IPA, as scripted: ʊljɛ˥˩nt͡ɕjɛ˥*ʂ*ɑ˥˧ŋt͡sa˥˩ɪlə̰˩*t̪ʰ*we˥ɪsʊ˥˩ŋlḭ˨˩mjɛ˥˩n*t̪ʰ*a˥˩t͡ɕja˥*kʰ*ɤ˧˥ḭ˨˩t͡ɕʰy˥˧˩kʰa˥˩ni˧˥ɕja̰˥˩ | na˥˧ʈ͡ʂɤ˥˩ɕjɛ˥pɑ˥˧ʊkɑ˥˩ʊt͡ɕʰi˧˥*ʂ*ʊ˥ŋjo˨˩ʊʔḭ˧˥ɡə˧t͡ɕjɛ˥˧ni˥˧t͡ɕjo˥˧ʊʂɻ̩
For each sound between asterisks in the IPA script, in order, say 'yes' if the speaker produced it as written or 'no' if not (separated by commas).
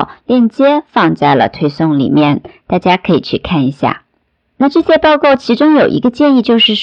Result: no, yes, no, yes, no